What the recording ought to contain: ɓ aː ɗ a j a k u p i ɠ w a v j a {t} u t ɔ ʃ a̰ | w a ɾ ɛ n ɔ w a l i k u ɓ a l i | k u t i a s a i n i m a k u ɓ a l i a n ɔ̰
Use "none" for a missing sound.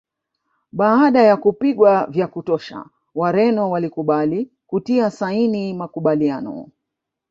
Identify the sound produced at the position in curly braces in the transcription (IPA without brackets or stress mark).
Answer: k